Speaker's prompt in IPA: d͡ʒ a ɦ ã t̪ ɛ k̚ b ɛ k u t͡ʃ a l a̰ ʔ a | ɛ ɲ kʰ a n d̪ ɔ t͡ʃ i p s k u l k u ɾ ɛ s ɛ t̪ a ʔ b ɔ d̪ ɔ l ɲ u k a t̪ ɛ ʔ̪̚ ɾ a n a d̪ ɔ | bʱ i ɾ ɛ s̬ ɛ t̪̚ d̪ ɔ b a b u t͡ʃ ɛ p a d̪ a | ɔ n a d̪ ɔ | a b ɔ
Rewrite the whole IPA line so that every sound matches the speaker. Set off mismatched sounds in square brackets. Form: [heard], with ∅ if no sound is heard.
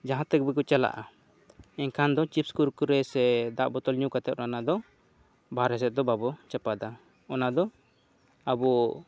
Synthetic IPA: d͡ʒ a ɦ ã t̪ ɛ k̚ b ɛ k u t͡ʃ a l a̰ ʔ a | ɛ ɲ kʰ a n d̪ ɔ t͡ʃ i p s k u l k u ɾ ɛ s ɛ [d̪] a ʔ b ɔ [t̪] ɔ l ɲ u k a t̪ ɛ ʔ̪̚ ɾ a n a d̪ ɔ | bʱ [a] ɾ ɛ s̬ ɛ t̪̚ d̪ ɔ b a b [ɔ] t͡ʃ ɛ p a d̪ a | ɔ n a d̪ ɔ | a b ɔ